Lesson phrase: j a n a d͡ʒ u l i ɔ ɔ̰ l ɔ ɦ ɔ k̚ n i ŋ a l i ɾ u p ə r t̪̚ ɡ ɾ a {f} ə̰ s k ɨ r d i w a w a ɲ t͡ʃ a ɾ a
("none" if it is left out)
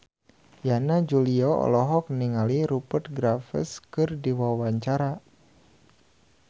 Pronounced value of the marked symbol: f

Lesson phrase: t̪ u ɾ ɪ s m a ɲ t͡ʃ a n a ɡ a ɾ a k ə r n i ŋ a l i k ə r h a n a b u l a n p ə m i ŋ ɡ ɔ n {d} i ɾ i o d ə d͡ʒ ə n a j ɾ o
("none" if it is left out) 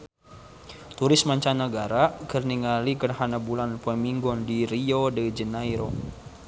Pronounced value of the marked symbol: d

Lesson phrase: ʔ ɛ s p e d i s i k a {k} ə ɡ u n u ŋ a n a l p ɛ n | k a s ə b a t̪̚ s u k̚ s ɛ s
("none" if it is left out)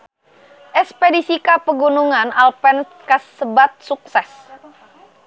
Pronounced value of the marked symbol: p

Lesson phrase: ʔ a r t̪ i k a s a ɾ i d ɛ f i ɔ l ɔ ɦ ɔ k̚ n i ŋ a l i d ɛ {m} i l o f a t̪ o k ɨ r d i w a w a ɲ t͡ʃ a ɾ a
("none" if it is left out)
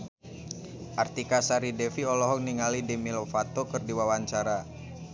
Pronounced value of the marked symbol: m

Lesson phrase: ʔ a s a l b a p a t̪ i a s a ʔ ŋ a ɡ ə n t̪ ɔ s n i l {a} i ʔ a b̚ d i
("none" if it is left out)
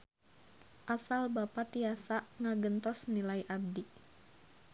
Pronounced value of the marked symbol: a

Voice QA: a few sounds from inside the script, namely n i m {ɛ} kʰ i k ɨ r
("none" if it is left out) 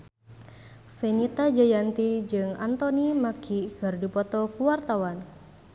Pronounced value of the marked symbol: a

